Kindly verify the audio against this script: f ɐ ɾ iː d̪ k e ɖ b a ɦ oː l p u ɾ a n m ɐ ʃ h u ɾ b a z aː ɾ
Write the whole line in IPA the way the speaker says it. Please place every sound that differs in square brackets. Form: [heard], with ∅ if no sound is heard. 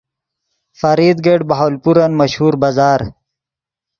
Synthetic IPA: f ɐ ɾ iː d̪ [ɡ] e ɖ b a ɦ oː l p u ɾ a n m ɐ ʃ h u ɾ b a z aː ɾ